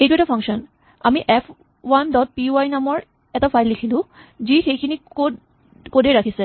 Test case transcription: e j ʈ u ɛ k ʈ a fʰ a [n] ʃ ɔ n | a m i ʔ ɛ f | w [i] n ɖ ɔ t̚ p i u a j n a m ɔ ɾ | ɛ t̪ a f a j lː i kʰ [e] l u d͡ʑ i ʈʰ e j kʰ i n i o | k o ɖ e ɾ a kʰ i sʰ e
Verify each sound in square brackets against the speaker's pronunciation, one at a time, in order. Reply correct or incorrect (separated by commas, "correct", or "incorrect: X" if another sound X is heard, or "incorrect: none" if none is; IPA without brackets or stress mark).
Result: incorrect: ŋ, incorrect: a, incorrect: i